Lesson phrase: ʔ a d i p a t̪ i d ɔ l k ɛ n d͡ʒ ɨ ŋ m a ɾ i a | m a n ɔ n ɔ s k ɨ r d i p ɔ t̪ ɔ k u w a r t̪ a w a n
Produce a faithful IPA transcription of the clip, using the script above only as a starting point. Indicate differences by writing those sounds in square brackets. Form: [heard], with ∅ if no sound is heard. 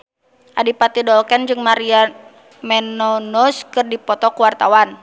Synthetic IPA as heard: ʔ a d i p a t̪ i d ɔ l k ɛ n d͡ʒ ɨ ŋ m a ɾ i a | m [ɛ] n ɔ n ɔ s k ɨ r d i p ɔ t̪ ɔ k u w a r t̪ a w a n